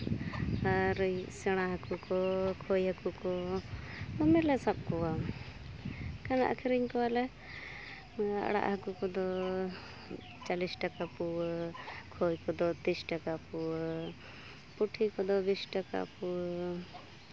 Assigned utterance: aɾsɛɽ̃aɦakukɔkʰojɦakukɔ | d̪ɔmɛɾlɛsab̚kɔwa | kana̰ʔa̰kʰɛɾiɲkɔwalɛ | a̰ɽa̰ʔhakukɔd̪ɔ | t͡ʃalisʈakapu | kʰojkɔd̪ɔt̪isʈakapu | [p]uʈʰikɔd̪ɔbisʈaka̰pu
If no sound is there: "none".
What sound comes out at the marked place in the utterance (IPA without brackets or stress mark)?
p